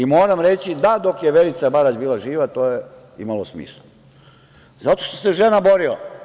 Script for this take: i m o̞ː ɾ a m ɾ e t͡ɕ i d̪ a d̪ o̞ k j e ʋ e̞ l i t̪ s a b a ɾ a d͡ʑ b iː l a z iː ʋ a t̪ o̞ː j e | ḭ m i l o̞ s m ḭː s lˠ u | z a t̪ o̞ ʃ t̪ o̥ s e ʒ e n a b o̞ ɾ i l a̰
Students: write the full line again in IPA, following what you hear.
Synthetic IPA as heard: i m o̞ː ɾ a m ɾ e t͡ɕ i d̪ a d̪ o̞ k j e ʋ e̞ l i t̪ s a b a ɾ a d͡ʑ b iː l a ʒ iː ʋ a t̪ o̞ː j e | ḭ m a l o̞ s m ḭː s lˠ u | z a t̪ o̞ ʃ t̪ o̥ s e ʒ e n a b o̞ ɾ i l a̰